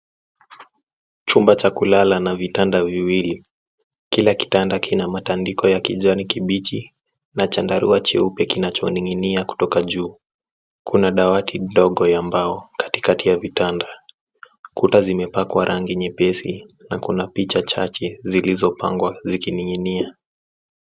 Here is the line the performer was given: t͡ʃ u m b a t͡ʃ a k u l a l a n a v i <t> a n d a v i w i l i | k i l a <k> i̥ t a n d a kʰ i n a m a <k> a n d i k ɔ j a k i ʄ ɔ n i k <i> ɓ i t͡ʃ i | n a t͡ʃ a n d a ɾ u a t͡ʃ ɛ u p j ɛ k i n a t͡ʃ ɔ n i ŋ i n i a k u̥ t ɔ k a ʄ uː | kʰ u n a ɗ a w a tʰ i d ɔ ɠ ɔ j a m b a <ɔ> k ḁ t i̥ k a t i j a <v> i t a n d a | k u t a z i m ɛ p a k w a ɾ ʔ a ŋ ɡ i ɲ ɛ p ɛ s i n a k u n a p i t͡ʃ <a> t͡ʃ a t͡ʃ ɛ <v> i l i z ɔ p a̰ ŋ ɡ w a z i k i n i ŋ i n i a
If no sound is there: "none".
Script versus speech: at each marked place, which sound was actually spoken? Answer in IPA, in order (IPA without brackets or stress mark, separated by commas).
t, k, t, i, ɔ, v, a, z